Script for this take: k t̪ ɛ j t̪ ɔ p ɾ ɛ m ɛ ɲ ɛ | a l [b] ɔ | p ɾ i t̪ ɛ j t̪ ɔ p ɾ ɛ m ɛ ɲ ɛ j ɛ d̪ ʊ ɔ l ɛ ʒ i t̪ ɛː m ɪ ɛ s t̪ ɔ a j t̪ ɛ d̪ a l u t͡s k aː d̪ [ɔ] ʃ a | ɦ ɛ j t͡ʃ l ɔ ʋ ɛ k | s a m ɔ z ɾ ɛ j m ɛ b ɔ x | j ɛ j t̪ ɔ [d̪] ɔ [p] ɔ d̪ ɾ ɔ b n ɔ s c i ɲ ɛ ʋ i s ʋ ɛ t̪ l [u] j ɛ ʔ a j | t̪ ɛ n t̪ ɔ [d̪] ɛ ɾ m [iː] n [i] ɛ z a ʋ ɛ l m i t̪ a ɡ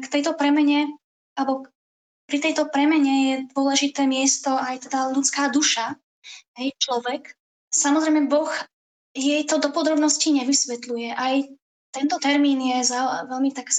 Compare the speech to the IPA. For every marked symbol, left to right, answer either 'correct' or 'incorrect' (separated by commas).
correct, incorrect, correct, correct, correct, incorrect, correct, incorrect